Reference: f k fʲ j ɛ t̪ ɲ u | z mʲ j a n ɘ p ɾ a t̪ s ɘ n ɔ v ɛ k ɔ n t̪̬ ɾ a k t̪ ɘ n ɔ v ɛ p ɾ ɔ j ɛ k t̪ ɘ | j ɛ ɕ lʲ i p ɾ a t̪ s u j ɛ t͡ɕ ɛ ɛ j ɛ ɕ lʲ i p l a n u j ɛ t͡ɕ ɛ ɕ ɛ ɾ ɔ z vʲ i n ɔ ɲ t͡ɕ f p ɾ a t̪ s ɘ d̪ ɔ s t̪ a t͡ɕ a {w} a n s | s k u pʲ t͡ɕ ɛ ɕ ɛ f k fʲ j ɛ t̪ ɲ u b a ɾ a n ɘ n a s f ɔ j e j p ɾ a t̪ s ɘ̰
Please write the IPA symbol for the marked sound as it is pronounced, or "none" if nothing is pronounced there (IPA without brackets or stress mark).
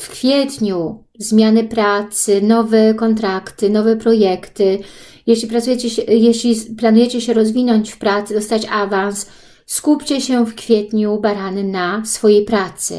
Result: v